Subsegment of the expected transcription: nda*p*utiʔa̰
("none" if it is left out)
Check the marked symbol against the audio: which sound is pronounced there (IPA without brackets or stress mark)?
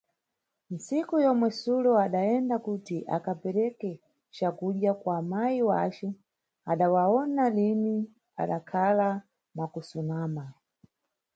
k